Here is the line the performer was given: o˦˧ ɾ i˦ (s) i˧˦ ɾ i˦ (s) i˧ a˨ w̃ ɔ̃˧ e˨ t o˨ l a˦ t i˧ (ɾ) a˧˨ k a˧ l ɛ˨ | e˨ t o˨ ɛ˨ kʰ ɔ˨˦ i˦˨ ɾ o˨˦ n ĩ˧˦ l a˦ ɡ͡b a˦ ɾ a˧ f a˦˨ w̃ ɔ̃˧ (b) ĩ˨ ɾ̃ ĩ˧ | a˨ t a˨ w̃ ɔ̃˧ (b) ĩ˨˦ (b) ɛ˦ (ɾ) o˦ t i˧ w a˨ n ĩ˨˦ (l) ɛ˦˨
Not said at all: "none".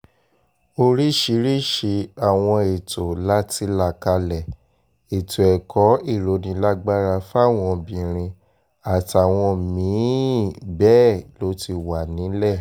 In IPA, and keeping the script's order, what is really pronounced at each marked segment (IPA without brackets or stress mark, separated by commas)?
ʃ, ʃ, l, b, m, b, l, l